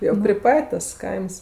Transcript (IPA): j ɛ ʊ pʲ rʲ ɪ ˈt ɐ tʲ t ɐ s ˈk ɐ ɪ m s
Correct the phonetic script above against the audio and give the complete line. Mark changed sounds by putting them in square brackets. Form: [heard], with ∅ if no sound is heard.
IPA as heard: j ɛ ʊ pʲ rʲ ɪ [ˈp] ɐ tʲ t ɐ s ˈk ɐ ɪ m s